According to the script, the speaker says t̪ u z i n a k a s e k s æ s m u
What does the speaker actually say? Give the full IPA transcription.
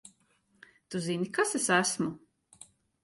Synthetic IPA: t̪ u z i n i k a s e s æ s m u